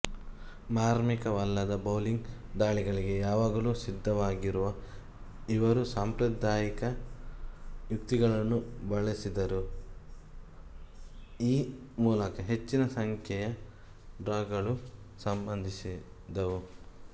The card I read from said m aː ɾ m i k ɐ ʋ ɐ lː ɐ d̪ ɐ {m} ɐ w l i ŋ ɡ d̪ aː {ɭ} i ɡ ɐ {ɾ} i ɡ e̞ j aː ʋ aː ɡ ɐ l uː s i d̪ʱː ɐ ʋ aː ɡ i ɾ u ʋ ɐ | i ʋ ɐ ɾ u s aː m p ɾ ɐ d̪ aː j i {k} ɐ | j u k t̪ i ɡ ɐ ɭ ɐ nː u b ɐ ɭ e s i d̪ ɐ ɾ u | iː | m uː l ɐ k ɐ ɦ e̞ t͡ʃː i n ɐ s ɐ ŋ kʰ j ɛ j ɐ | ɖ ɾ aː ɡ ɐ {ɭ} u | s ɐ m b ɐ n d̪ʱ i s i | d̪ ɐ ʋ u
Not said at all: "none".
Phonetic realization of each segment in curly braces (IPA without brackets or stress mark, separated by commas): b, ɭ, ɭ, k, ɭ